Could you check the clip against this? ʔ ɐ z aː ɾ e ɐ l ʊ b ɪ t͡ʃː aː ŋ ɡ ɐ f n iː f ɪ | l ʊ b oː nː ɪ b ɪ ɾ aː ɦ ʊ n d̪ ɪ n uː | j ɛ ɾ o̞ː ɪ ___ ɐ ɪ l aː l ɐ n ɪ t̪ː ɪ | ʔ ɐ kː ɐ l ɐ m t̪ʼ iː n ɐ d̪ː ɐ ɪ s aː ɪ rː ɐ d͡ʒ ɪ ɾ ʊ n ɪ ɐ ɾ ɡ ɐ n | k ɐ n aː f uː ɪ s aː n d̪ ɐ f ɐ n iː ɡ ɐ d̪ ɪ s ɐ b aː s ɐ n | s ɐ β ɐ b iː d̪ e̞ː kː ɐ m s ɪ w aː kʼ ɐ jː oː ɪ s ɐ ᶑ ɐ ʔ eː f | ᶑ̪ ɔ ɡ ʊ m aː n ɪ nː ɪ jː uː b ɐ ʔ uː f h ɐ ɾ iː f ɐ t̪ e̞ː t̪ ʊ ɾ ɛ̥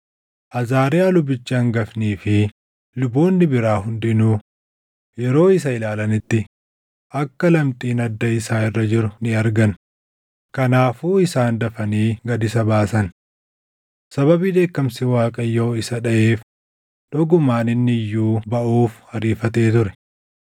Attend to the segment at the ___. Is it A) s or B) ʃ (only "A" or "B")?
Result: A